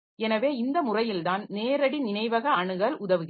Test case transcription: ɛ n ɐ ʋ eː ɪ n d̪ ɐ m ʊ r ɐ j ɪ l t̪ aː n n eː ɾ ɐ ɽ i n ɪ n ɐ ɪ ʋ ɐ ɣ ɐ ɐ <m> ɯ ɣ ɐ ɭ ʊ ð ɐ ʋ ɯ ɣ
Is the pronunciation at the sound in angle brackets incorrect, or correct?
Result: incorrect